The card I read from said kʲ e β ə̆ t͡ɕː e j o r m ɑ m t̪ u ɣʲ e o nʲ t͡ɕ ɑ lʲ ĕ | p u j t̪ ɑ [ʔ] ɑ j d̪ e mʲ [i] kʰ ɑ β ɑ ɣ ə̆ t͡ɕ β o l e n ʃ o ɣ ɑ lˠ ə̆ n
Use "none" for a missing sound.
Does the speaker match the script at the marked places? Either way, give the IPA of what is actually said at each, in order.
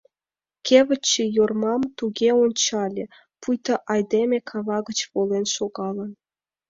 ʔ, e

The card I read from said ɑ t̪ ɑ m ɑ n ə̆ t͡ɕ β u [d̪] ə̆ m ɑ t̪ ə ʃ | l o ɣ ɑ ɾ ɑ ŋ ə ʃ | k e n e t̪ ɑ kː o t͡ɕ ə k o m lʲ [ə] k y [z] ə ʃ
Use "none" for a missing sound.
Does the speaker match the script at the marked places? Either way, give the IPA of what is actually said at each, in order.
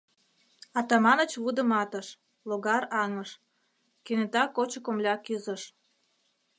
d̪, ɑ, z

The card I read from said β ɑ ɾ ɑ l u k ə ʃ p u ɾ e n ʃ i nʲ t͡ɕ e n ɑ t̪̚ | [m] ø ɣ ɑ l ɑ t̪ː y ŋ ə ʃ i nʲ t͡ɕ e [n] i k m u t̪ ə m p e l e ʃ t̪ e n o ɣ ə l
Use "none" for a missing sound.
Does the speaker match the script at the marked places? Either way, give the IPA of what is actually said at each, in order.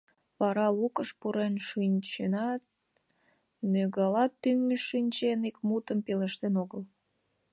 n, n

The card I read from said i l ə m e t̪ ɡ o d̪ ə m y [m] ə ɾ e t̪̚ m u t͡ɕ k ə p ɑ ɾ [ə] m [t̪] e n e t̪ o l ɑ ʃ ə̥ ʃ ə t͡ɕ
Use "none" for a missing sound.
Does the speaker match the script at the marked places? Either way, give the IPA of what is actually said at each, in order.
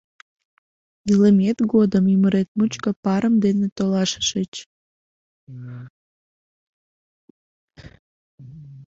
m, ə, d̪

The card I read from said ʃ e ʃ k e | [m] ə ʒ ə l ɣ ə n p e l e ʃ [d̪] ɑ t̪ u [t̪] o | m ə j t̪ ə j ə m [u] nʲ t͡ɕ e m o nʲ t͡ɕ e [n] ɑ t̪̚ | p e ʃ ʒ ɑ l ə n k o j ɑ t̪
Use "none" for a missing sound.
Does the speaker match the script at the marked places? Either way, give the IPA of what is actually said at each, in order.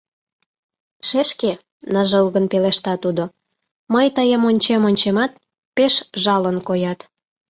n, t̪, d̪, o, m

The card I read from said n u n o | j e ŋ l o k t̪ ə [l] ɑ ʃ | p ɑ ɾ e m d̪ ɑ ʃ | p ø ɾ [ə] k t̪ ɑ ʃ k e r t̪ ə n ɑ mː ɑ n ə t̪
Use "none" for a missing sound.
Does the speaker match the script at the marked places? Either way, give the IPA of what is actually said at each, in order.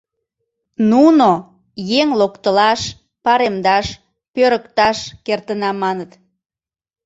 l, ə

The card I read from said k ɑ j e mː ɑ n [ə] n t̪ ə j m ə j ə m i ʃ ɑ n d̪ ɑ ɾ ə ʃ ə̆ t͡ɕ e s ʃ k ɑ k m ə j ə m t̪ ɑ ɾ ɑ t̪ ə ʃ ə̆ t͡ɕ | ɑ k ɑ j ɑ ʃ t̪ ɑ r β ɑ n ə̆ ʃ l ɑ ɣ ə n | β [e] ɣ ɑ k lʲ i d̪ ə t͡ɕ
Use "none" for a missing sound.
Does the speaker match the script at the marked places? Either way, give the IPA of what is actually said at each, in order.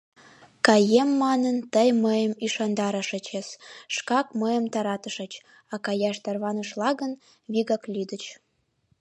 ə, i

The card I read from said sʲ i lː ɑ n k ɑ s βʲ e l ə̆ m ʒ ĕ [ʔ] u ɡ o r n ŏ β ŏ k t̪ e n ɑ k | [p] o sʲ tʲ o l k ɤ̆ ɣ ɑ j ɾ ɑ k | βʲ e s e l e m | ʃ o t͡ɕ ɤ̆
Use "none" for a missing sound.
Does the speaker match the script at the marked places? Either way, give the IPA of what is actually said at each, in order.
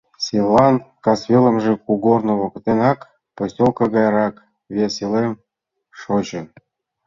k, p

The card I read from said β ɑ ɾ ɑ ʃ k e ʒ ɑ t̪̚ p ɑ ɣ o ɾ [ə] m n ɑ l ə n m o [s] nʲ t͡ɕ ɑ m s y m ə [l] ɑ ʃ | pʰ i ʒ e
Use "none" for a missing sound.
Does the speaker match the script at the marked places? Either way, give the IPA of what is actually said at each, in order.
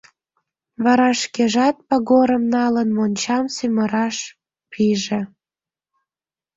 ə, none, ɾ

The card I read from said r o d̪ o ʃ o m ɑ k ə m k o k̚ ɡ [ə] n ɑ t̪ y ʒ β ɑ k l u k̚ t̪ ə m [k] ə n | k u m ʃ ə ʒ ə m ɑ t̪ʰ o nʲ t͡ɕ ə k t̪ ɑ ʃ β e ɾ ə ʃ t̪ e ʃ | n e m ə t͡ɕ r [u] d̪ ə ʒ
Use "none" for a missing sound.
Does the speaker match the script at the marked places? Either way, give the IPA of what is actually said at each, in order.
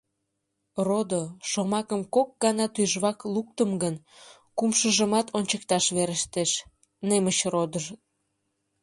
ɑ, ɡ, o

